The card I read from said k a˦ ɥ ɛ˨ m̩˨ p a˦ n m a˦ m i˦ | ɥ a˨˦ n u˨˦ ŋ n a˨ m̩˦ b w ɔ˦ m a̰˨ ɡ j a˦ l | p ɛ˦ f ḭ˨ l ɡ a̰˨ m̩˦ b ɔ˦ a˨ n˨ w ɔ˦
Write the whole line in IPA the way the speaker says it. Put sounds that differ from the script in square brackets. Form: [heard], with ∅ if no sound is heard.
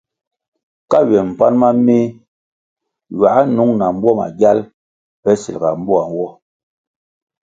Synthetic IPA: k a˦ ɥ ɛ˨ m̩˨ p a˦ n m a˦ m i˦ | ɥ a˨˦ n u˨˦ ŋ n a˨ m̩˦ b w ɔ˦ m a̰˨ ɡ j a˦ l | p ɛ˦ [s] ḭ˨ l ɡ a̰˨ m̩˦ b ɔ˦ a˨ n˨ w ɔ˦